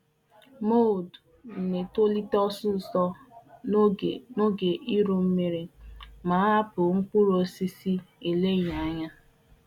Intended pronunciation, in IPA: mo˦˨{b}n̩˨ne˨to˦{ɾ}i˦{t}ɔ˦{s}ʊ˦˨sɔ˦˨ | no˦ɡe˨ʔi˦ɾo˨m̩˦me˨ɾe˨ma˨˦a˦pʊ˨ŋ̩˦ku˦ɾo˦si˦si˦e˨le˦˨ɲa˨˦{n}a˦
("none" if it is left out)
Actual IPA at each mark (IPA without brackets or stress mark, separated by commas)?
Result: d, l, t, s, ɲ